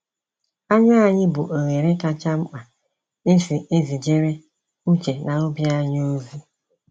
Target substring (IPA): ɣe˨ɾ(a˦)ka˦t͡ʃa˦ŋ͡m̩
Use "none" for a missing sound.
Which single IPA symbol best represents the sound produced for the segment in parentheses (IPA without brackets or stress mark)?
e˦